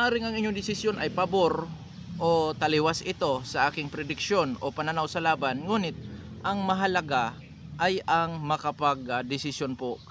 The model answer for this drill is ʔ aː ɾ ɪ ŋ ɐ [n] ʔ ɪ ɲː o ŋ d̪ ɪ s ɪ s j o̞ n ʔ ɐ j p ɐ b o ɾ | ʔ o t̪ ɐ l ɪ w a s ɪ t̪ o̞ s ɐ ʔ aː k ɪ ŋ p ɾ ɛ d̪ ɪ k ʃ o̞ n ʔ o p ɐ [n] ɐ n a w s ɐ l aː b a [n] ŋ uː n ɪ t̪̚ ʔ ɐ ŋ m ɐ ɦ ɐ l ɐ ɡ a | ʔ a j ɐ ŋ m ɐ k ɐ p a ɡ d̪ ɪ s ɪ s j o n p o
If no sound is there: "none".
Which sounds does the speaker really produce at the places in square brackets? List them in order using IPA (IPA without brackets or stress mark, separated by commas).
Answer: ŋ, n, n